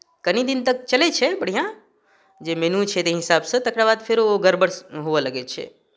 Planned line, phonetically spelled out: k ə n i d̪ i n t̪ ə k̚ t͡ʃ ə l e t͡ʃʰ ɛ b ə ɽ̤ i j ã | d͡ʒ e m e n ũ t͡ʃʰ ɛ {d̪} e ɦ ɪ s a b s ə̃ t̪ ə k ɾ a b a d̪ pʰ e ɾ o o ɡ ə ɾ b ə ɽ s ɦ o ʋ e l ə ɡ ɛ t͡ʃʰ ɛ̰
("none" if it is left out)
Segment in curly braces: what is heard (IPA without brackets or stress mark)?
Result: t̪